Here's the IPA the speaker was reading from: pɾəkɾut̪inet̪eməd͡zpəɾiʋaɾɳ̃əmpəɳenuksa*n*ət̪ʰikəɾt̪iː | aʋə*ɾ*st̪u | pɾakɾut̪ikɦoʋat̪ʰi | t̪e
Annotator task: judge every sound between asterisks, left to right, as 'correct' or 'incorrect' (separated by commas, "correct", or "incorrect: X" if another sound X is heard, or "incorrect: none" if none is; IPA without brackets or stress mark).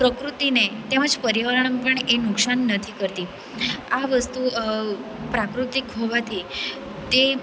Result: incorrect: nː, incorrect: none